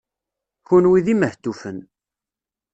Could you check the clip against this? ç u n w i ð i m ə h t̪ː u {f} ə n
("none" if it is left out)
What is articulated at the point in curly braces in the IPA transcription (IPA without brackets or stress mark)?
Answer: f